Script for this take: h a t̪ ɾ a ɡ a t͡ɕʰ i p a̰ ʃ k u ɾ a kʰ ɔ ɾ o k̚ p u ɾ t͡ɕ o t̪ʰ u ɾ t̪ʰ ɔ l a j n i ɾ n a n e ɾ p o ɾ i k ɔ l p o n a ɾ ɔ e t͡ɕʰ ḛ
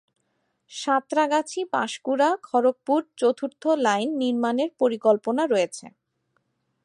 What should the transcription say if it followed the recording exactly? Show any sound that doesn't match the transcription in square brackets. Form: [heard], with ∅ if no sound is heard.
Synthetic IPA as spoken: [ʃ] a t̪ ɾ a ɡ a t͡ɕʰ i p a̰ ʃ k u ɾ a kʰ ɔ ɾ o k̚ p u ɾ t͡ɕ o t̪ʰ u ɾ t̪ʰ [o] l a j [nː] i ɾ [m] a n e ɾ p o ɾ i k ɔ l p o n a ɾ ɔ e t͡ɕʰ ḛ